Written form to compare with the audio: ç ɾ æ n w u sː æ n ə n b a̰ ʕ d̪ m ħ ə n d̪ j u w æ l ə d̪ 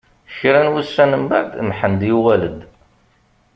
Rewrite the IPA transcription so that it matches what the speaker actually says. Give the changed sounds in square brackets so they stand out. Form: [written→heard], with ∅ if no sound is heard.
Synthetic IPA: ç ɾ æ n w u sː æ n ə [n→m] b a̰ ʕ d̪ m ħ ə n d̪ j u w æ l ə d̪